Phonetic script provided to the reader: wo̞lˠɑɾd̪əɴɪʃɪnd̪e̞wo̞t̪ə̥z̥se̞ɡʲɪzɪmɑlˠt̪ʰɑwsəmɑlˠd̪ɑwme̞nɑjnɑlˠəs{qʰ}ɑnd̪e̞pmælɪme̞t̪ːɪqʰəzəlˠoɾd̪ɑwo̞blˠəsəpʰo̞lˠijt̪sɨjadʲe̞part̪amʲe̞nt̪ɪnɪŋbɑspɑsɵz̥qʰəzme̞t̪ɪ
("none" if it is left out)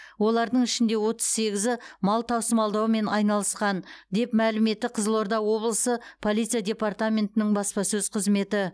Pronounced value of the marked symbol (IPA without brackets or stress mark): q